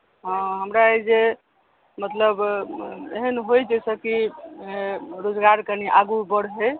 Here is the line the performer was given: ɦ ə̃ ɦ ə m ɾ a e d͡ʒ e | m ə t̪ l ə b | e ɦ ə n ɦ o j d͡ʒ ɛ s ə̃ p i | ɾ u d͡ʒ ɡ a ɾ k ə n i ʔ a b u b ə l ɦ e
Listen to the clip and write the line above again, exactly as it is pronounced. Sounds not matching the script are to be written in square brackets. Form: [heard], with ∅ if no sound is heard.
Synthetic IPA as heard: ɦ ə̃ ɦ ə m ɾ a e d͡ʒ e | m ə t̪ l ə b | e ɦ ə n ɦ o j d͡ʒ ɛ s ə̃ [k] i | ɾ [o] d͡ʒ ɡ a ɾ k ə n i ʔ a [ɡ] u b ə [ɽ] ɦ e